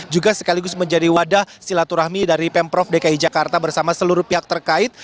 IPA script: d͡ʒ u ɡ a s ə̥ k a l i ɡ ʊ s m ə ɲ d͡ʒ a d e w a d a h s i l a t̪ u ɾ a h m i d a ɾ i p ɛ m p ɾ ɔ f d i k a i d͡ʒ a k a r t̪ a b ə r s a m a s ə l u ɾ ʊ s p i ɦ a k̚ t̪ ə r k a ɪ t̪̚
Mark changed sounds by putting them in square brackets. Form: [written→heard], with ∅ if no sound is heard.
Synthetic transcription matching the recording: d͡ʒ u ɡ a s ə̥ k a l i ɡ ʊ s m ə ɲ d͡ʒ a d [e→i] w a d a h s i l a t̪ u ɾ a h m i d a ɾ i p ɛ m p ɾ ɔ f d [i→e] k a i d͡ʒ a k a r t̪ a b ə r s a m a s ə l u ɾ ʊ [s→h] p i ɦ a k̚ t̪ ə r k a ɪ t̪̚

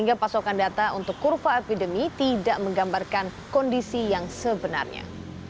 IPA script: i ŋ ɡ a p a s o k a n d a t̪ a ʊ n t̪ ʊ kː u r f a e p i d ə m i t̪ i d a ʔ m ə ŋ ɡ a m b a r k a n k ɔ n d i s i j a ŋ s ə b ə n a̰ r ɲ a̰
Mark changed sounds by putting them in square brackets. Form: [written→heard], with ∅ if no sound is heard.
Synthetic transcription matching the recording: i ŋ ɡ a p a s o k a n d a t̪ a [ʊ→u] n t̪ ʊ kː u r f a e p i d ə m i t̪ i d a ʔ m ə ŋ ɡ a m b a r k a n k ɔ n d i s i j a ŋ s ə b ə n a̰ r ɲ a̰

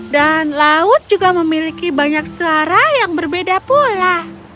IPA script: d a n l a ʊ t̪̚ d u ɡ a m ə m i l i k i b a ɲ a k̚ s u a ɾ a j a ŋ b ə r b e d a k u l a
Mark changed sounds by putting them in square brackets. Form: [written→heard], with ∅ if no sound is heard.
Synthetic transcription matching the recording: d a n l a ʊ t̪̚ [d→d͡ʒ] u ɡ a m ə m i l i k i b a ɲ a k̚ s u a ɾ a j a ŋ b ə r b e d a [k→p] u l a

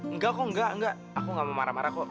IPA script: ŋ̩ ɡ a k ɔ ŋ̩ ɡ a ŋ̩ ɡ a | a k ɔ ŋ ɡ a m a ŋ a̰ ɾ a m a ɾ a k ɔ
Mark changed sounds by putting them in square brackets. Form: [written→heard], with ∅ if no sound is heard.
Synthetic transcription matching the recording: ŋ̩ ɡ a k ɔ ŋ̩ ɡ a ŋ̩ ɡ a | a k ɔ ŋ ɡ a m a [ŋ→m] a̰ ɾ a m a ɾ a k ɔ

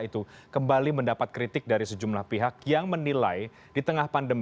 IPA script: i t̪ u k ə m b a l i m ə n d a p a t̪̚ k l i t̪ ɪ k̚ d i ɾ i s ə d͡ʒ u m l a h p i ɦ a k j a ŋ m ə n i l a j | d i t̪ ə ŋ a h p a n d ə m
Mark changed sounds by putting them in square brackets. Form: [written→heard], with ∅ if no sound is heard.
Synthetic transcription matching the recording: i t̪ u k ə m b a l i m ə n d a p a t̪̚ k [l→ɾ] i t̪ ɪ k̚ d [i→a] ɾ i s ə d͡ʒ u m l a h p i ɦ a k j a ŋ m ə n i l a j | d i t̪ ə ŋ a h p a n d ə m

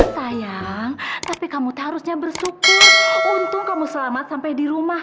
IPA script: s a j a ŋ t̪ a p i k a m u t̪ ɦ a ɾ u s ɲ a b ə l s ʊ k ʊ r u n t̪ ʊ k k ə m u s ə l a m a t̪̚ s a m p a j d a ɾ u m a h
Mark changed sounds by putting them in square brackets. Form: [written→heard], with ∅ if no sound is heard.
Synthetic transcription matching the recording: s a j a ŋ t̪ a p i k a m u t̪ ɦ a ɾ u s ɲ a b ə [l→r] s [ʊ→u] k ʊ r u n t̪ ʊ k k [ə→a] m u s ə l a m a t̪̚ s a m p a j d [a→i] ɾ u m a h

